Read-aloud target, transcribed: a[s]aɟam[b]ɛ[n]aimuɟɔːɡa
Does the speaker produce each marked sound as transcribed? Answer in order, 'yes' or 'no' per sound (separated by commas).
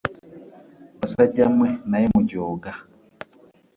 yes, no, yes